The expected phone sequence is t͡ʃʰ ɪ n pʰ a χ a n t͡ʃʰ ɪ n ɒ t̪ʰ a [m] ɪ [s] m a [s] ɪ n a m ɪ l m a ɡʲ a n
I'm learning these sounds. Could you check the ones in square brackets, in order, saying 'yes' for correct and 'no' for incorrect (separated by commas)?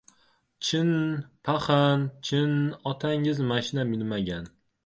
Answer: no, no, no